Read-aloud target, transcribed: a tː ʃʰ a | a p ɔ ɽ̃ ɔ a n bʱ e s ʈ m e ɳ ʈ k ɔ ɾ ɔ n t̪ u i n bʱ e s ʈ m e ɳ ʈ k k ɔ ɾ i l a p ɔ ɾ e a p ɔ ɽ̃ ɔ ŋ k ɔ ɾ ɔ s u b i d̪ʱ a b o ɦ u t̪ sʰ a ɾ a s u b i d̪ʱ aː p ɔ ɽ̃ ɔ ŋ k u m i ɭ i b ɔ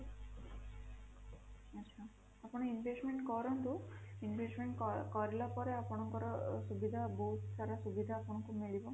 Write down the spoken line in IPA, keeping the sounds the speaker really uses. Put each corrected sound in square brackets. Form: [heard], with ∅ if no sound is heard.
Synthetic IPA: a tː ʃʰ a | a p ɔ ɽ̃ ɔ [i] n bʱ e s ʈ m e ɳ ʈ k ɔ ɾ ɔ n t̪ u i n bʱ e s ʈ m e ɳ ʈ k k ɔ ɾ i l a p ɔ ɾ e a p ɔ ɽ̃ ɔ ŋ k ɔ ɾ ɔ s u b i d̪ʱ a b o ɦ u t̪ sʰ a ɾ a s u b i d̪ʱ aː p ɔ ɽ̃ ɔ ŋ k u m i ɭ i b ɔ